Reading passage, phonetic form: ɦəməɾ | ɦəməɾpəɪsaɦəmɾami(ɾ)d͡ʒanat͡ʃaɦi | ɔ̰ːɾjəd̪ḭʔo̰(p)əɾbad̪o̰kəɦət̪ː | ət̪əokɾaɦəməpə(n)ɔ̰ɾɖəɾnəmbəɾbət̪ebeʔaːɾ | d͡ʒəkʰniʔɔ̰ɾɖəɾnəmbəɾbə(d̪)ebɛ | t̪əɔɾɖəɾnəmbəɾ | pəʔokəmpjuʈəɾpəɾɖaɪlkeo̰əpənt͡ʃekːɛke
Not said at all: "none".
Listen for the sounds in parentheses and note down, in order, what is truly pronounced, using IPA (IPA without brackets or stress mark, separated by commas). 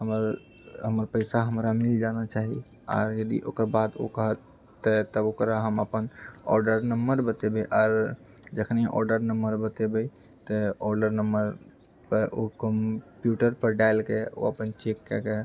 l, k, n, t̪